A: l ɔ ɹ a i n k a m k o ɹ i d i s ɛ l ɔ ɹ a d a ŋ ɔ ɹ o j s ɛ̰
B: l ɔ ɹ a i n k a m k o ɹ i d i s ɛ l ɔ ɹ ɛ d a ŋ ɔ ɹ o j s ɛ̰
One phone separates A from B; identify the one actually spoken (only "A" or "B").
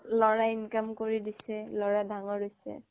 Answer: A